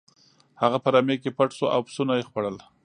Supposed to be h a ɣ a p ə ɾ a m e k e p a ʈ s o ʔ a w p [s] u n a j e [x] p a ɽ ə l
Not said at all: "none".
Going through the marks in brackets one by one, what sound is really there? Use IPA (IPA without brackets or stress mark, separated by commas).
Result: s, x